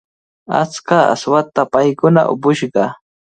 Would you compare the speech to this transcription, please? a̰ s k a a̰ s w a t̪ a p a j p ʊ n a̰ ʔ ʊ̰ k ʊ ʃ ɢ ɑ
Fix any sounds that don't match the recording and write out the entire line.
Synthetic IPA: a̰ t͡s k a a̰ s w a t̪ a p a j k ʊ n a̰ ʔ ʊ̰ p ʊ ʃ ɢ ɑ

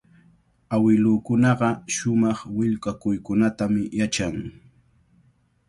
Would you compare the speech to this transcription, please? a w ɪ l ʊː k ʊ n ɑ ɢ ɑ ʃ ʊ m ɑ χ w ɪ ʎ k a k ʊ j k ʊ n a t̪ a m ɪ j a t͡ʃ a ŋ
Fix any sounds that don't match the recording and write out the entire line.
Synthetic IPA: a w ɪ l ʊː k ʊ n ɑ ɢ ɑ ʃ ʊ m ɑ χ w ɪ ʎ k a k ʊ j k ʊ n a t̪ a m ɪ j a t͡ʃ a ŋ

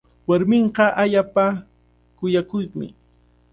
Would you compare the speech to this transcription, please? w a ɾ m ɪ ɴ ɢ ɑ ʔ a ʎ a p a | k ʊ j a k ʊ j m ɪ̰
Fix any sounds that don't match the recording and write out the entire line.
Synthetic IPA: w a ɾ m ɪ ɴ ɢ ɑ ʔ a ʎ a p a | k ʊ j a k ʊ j m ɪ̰

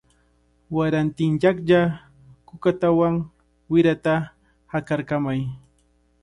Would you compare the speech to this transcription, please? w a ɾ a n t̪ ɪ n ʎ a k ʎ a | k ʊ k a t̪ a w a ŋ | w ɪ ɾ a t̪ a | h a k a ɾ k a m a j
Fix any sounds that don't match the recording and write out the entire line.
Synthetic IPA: w a ɾ a n t̪ ɪ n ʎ a k ʎ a | k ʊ k a t̪ a w a ŋ | w ɪ ɾ a t̪ a | h a k a ɾ k a m a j

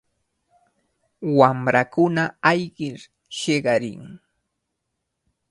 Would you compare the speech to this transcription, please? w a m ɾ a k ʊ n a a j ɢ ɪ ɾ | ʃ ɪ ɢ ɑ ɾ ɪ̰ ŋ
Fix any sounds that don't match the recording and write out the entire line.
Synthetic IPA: w a m ɾ a k ʊ n a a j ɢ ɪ ɾ | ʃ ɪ ɢ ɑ ɾ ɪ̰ ŋ

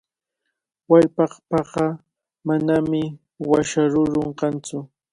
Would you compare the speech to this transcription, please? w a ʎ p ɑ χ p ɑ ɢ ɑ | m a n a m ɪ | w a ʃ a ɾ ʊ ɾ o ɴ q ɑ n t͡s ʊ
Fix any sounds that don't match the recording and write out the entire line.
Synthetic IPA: w a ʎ p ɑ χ p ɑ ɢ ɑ | m a n a m ɪ | w a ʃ a ɾ ʊ ɾ o ɴ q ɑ n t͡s ʊ

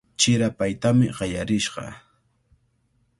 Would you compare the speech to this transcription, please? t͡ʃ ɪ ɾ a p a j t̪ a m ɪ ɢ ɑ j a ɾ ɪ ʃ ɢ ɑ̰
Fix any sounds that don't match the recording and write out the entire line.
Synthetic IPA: t͡ʃ ɪ ɾ a p a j t̪ a m ɪ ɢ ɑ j a ɾ ɪ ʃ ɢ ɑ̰

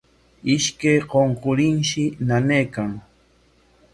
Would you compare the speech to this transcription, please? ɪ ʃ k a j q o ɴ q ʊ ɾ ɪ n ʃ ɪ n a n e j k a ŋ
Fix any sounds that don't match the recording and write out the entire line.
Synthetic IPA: ɪ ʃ k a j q o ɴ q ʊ ɾ ɪ n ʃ ɪ n a n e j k a ŋ

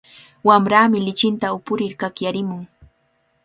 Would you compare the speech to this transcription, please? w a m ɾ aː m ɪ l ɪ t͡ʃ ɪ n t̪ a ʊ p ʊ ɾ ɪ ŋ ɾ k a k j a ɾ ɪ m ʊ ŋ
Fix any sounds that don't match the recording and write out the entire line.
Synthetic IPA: w a m ɾ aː m ɪ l ɪ t͡ʃ ɪ n t̪ a ʊ p ʊ ɾ ɪ ɾ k a k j a ɾ ɪ m ʊ ŋ

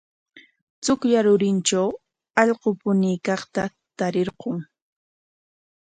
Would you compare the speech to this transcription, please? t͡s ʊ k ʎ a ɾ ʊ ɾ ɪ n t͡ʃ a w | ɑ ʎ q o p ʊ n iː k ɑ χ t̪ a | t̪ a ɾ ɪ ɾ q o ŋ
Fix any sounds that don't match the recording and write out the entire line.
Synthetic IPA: t͡s ʊ k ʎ a ɾ ʊ ɾ ɪ n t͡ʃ a w | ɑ ʎ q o p ʊ n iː k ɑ χ t̪ a | t̪ a ɾ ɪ ɾ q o ŋ

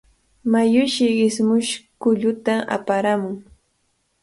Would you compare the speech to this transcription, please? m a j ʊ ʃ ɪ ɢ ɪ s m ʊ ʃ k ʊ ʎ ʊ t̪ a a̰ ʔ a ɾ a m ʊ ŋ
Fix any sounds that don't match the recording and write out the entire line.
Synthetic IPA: m a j ʊ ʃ ɪ ɢ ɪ s m ʊ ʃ k ʊ ʎ ʊ t̪ a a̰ p a ɾ a m ʊ ŋ

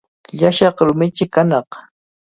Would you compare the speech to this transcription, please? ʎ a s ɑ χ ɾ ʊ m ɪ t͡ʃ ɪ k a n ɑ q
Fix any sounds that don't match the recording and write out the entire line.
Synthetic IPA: ʎ a ʃ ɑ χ ɾ ʊ m ɪ t͡ʃ ɪ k a n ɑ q

